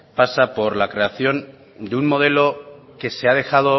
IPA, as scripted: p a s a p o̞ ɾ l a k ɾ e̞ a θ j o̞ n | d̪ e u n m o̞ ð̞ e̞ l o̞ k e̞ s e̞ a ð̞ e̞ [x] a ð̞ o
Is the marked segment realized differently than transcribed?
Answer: no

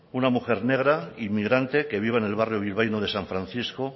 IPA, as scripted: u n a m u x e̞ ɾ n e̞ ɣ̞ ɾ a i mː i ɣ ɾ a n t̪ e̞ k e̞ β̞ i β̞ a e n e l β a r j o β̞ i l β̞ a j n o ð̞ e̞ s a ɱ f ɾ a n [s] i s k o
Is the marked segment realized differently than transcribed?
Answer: yes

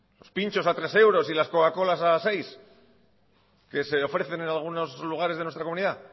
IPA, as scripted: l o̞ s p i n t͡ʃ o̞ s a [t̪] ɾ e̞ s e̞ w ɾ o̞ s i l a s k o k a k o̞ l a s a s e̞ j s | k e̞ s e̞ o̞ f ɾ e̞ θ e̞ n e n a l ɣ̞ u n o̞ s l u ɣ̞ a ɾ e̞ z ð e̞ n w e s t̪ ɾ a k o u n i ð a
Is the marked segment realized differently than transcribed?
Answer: no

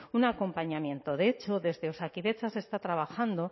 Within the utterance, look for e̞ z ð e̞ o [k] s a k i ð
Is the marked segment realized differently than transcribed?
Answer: yes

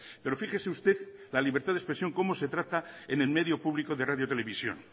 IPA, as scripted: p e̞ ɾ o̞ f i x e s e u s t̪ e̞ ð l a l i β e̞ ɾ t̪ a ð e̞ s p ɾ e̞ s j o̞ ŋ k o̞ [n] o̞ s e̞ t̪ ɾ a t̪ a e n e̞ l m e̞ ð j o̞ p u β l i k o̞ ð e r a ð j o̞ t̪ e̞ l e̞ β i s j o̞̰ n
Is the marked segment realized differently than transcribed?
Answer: yes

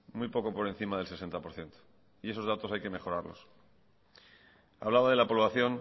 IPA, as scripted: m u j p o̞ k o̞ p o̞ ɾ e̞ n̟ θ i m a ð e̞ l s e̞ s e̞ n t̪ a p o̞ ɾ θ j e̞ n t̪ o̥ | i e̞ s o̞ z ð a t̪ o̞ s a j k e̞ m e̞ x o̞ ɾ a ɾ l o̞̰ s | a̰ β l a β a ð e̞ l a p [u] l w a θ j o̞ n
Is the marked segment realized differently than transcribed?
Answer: yes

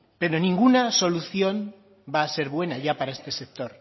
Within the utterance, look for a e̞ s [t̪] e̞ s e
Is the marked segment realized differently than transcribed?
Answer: no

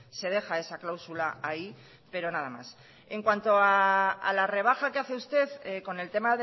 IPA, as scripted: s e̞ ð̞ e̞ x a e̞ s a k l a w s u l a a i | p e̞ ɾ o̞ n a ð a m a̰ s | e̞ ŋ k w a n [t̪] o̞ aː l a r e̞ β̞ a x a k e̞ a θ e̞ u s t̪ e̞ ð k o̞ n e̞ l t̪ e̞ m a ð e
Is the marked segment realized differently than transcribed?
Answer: no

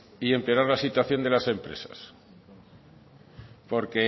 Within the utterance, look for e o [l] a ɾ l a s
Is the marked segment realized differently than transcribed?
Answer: yes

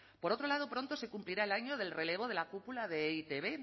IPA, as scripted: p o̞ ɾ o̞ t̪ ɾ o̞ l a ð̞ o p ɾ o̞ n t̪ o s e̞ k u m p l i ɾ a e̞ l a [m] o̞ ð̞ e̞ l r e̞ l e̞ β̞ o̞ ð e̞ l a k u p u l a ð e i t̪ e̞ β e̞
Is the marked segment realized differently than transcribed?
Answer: yes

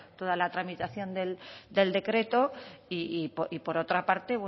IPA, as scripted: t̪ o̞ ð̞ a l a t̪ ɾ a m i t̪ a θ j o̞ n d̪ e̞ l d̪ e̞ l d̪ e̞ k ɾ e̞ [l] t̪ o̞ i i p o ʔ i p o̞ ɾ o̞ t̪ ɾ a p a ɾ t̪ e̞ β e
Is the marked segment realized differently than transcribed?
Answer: yes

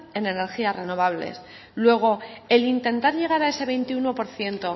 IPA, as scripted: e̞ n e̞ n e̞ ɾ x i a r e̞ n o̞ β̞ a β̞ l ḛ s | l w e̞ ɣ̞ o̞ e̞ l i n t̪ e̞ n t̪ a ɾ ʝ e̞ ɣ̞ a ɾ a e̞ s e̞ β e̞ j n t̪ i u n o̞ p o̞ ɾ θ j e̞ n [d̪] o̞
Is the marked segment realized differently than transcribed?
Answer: yes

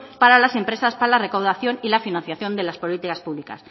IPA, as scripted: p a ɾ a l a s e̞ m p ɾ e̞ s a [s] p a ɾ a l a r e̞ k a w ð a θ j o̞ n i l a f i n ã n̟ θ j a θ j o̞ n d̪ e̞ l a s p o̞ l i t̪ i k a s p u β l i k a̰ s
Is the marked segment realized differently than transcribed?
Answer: no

